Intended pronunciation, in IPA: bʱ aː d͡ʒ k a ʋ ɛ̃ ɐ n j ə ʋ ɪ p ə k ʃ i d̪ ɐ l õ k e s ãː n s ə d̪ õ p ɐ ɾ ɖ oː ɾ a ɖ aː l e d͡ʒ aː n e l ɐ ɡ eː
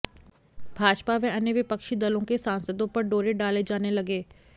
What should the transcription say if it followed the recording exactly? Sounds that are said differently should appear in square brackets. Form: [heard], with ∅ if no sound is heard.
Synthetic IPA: bʱ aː d͡ʒ [p] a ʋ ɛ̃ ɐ n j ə ʋ ɪ p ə k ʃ i d̪ ɐ l õ k e s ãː n s ə d̪ õ p ɐ ɾ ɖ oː ɾ [e] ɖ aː l e d͡ʒ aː n e l ɐ ɡ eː

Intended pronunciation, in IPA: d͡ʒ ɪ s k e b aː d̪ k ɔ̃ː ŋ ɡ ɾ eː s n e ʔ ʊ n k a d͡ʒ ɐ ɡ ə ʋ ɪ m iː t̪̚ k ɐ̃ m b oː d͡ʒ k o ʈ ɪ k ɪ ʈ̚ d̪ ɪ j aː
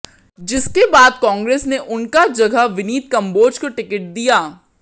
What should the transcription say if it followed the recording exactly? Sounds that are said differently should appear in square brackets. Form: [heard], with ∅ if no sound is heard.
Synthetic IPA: d͡ʒ ɪ s k e b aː d̪ k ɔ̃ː ŋ ɡ ɾ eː s n e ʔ ʊ n k a d͡ʒ ɐ ɡ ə ʋ ɪ [n] iː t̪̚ k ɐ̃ m b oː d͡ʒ k o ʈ ɪ k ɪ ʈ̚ d̪ [i] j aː

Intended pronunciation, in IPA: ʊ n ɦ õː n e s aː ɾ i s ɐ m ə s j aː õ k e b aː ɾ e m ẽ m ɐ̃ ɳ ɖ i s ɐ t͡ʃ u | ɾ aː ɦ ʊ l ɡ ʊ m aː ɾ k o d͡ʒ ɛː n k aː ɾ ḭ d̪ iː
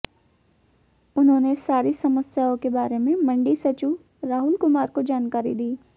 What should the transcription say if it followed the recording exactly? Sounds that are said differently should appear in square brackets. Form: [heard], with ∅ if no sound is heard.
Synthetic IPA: ʊ n ɦ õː n e s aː ɾ i s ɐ m ə s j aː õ k e b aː ɾ e m ẽ m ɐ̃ ɳ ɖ i s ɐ t͡ʃ u | ɾ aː ɦ ʊ l [k] ʊ m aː ɾ k o d͡ʒ [aː] n k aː ɾ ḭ d̪ iː

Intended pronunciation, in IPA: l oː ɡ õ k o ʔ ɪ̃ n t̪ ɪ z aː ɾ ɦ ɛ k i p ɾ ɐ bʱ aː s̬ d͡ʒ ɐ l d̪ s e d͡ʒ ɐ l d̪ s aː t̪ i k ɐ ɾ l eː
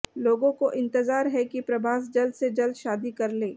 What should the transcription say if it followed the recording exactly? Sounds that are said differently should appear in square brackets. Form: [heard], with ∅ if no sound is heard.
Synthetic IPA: l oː ɡ õ k o ʔ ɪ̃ n t̪ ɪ z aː ɾ ɦ ɛ k i p ɾ ɐ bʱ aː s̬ d͡ʒ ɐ l d̪ s e d͡ʒ ɐ l d̪ [ʃ] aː [d̪] i k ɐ ɾ l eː

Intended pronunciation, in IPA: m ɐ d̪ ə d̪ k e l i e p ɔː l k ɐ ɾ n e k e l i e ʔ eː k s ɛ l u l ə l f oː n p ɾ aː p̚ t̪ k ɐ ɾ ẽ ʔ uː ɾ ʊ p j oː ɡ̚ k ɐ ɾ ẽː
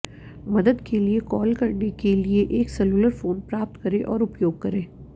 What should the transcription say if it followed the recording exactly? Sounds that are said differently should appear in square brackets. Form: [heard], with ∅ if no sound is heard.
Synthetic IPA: m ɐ d̪ ə d̪ k e l i e [k] ɔː l k ɐ ɾ n e k e l i e ʔ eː k s ɛ l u l ə [ɾ] f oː n p ɾ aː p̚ t̪ k ɐ ɾ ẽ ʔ [ɔː] ɾ ʊ p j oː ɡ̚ k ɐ ɾ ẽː

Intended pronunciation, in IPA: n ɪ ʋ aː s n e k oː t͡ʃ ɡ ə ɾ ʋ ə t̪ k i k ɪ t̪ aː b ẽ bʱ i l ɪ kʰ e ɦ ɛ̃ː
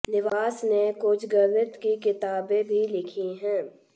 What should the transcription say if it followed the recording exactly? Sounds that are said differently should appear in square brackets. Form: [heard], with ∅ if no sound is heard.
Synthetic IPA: n ɪ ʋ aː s n e k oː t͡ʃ ɡ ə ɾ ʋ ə t̪ k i k ɪ t̪ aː b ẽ bʱ i l ɪ kʰ [i] ɦ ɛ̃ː

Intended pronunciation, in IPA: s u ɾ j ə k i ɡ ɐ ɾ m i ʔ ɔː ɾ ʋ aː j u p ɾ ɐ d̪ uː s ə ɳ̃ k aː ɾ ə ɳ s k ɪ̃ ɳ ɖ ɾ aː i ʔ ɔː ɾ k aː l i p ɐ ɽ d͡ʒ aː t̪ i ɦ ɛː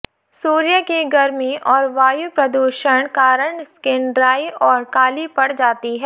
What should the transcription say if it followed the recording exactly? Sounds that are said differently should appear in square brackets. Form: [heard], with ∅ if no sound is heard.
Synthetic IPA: s [uː] ɾ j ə k i ɡ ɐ ɾ m i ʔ ɔː ɾ ʋ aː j u p ɾ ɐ d̪ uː [ʃ] ə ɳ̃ k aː ɾ ə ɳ s k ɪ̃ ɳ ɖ ɾ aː i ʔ ɔː ɾ k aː l i p ɐ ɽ d͡ʒ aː t̪ i ɦ ɛː

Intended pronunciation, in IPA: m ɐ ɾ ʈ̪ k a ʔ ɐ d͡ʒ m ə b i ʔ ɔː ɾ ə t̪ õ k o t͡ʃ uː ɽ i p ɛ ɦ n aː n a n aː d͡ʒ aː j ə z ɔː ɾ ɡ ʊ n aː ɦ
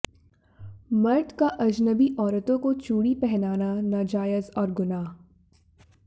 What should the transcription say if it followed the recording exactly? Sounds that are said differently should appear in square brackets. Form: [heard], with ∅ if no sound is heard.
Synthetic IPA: m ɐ ɾ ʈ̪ k a ʔ ɐ d͡ʒ [n] ə b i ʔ ɔː ɾ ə t̪ õ k o t͡ʃ uː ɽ i p ɛ ɦ n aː n a n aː d͡ʒ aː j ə z ɔː ɾ ɡ ʊ n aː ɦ

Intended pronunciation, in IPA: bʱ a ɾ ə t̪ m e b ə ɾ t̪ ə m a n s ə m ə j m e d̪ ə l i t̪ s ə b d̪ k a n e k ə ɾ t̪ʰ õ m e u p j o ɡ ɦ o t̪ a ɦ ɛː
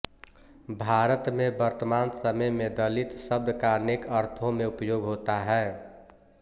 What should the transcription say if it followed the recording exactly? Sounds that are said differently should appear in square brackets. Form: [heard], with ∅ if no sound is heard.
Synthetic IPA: bʱ a ɾ ə t̪ m e b ə ɾ t̪ ə m a n s ə m ə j m e d̪ ə l i t̪ s ə b d̪ k a n e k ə ɾ t̪ʰ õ m e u p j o ɡ ɦ o t̪ a ɦ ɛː

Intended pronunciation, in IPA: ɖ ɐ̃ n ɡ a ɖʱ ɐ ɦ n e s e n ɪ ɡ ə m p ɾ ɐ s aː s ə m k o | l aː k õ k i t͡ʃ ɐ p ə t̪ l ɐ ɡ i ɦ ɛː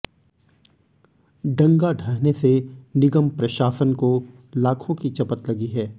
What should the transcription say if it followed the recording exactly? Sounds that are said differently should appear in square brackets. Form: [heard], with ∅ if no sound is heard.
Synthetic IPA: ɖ ɐ̃ [ŋ] ɡ a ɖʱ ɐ ɦ n e s e n ɪ ɡ ə m p ɾ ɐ [ʃ] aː s ə [n] k o | l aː [kʰ] õ k i t͡ʃ ɐ p ə t̪ l ɐ ɡ i ɦ ɛː

